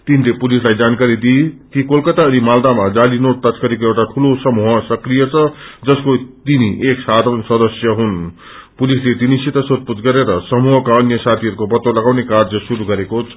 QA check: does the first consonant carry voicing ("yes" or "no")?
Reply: no